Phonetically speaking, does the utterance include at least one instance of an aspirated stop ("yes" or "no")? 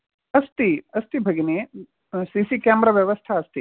yes